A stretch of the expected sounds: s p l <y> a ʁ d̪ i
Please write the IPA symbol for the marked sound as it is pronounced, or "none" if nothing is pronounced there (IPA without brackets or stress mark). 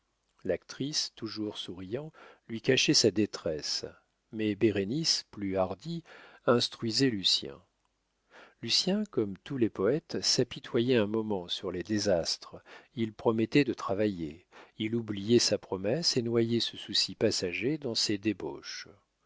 y